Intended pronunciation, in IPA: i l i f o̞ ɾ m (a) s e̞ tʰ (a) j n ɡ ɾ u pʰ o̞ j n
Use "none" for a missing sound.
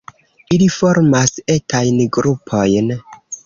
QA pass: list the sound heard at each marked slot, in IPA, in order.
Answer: a, a

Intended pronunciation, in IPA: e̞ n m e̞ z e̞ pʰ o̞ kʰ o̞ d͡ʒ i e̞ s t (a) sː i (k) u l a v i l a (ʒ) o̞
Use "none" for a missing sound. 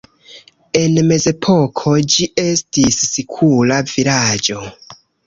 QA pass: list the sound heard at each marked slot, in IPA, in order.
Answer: i, kʰ, d͡ʒ

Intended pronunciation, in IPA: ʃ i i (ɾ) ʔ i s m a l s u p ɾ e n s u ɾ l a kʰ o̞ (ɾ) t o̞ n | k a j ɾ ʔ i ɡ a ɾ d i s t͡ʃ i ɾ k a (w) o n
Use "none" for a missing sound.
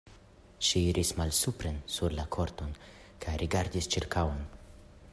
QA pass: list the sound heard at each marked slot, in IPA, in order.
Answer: ɾ, ɾ, w

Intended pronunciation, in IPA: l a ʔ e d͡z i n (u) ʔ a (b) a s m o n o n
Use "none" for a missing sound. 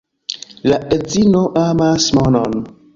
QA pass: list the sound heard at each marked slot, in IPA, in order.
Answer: o, m

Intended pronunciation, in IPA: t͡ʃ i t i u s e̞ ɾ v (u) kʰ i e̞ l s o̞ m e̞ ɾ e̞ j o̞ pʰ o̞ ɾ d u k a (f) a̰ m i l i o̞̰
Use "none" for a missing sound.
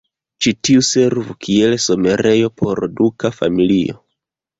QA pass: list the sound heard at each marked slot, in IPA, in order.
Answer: u, f

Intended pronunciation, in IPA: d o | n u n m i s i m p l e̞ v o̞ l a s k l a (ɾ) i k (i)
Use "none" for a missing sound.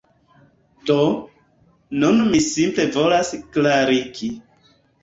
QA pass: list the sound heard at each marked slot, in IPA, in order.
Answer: ɾ, i

